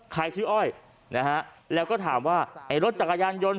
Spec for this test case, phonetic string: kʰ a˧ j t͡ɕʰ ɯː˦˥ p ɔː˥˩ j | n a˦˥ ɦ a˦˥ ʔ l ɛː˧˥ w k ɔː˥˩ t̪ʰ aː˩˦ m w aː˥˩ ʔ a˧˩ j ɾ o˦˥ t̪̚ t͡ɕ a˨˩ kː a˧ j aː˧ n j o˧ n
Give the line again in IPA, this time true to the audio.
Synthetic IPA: kʰ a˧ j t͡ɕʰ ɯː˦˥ ʔ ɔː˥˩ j | n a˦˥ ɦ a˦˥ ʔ l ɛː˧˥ w k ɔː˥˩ t̪ʰ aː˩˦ m w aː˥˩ ʔ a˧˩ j ɾ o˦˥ t̪̚ t͡ɕ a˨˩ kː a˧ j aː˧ n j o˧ n